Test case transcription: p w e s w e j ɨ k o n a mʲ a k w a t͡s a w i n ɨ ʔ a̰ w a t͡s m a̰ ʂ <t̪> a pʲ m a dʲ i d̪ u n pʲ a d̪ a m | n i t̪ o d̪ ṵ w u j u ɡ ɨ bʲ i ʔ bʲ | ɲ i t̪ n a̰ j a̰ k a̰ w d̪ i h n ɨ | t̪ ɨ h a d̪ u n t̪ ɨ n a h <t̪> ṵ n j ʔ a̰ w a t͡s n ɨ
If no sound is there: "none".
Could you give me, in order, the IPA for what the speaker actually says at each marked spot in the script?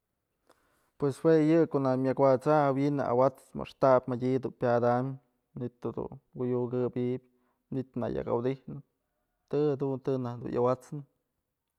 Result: t̪, d̪

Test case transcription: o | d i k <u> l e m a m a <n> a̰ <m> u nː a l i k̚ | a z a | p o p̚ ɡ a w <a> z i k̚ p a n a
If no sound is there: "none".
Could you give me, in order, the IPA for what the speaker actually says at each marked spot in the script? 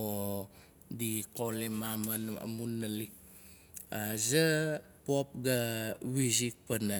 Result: o, n, m, i

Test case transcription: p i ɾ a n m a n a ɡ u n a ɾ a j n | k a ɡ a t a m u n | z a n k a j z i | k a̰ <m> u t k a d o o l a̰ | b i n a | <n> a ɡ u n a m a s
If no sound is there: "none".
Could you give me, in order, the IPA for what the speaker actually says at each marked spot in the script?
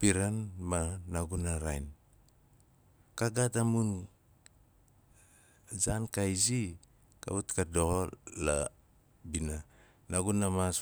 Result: none, n

